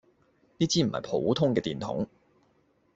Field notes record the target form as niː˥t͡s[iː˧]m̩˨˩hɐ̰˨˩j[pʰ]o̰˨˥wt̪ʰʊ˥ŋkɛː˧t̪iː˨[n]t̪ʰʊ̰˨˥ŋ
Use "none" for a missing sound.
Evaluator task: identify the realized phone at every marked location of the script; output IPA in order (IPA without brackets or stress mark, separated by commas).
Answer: iː˥, pʰ, n